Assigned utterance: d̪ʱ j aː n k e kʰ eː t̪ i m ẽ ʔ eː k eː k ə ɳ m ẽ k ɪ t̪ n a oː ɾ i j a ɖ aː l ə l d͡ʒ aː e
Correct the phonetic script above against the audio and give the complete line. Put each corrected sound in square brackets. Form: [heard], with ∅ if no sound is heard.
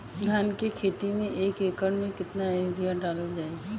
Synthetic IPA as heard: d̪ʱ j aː n k e kʰ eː t̪ i m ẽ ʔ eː k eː k ə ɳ m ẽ k ɪ t̪ n a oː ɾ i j a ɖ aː l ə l d͡ʒ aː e